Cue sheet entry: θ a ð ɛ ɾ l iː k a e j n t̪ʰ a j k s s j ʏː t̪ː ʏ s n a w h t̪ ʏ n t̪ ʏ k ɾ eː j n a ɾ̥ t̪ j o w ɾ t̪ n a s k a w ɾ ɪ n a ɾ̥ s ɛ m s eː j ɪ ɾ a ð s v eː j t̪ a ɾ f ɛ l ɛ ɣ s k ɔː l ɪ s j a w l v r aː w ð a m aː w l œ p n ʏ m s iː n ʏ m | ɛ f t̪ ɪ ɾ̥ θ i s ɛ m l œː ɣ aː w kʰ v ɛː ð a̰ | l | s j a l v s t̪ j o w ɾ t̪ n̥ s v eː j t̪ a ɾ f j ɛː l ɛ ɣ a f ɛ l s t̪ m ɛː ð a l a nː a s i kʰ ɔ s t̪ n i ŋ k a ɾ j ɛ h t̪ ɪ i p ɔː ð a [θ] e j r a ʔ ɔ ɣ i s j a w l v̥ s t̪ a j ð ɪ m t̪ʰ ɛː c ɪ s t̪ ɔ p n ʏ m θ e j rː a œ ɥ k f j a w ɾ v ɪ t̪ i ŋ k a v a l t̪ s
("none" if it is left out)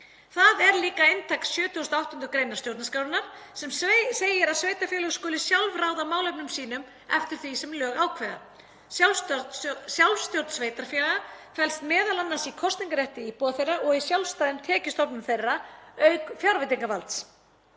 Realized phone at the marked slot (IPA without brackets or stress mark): θ